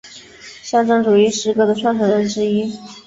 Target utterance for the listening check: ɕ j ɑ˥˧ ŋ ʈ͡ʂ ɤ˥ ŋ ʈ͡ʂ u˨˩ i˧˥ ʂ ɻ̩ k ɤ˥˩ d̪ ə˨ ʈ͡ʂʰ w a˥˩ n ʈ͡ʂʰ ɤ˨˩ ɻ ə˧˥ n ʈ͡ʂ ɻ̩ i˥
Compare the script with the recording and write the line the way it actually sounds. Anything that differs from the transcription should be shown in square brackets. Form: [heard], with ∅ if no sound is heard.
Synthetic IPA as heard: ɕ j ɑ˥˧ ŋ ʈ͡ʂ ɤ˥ ŋ ʈ͡ʂ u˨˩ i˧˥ ʂ ɻ̩ k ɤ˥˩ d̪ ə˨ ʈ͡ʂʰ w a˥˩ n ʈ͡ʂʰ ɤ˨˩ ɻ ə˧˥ n ʈ͡ʂ ɻ̩ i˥